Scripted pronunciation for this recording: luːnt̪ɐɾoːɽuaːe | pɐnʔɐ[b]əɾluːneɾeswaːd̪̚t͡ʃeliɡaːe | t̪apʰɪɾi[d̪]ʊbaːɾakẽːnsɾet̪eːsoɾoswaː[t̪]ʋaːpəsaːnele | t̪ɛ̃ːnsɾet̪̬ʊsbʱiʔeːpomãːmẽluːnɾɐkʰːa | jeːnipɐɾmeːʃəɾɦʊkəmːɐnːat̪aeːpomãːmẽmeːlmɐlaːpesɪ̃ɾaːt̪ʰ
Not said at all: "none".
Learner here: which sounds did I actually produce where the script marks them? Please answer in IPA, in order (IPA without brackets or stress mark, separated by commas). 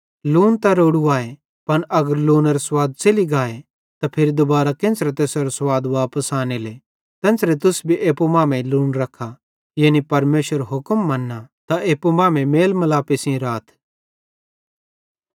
ɡ, d̪, d̪